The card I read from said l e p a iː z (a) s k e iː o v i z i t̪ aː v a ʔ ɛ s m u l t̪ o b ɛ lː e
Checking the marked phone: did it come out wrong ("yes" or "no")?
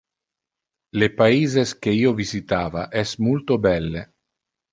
yes